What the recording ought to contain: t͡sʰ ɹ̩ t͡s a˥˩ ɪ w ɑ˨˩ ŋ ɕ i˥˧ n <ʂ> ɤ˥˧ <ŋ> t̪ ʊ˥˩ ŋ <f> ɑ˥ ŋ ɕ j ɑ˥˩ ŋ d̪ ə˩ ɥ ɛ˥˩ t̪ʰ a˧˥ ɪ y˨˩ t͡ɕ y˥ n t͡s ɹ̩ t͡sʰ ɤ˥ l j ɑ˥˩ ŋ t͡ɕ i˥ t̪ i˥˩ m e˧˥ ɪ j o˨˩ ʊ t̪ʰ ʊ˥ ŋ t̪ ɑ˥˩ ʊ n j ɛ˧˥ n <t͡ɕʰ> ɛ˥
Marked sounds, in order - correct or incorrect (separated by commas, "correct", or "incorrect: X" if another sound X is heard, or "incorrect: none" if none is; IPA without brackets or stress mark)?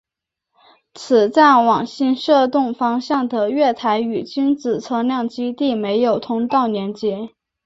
correct, incorrect: none, correct, incorrect: t͡ɕ